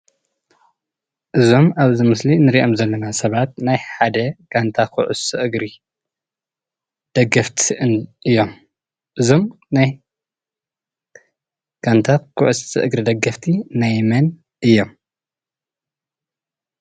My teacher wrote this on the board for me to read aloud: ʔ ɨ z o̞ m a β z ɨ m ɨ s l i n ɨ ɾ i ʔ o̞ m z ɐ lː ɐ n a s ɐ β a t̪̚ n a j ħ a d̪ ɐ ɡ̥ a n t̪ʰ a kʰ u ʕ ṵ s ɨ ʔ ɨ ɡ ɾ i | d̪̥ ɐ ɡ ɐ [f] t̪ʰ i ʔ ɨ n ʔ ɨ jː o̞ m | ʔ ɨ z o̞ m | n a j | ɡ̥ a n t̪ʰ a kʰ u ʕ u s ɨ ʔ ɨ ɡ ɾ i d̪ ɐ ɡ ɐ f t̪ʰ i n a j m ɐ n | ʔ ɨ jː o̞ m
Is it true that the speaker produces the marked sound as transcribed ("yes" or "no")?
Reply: yes